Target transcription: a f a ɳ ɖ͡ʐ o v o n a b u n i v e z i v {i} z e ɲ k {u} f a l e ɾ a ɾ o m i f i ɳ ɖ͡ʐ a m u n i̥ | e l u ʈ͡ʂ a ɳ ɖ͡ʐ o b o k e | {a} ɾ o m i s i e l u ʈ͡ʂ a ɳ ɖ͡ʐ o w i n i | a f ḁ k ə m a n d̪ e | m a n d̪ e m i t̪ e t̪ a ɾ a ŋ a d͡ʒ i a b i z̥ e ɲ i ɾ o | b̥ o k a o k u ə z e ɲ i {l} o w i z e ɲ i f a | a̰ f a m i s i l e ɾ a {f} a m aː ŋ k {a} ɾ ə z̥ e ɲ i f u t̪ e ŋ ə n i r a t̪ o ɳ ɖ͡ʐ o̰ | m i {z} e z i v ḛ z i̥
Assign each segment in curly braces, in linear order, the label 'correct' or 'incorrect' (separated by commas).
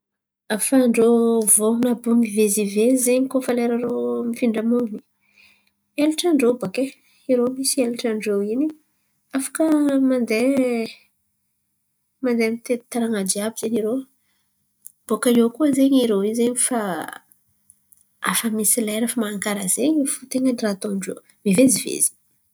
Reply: incorrect, incorrect, incorrect, incorrect, correct, correct, incorrect